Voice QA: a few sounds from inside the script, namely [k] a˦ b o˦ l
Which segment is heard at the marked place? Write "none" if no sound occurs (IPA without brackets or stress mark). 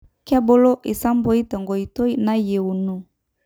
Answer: k